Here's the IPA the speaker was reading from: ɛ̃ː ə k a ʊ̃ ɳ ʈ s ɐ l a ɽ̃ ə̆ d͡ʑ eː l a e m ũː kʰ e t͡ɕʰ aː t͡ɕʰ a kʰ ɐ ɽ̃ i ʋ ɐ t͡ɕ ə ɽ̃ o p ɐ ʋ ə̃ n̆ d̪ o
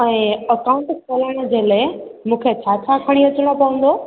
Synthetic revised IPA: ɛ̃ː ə k a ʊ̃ ɳ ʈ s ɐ l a ɽ̃ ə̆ d͡ʑ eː l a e m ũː kʰ e t͡ɕʰ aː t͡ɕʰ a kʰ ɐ ɽ̃ i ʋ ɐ t͡ɕ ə ɽ̃ o p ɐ ʋ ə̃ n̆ d̪ o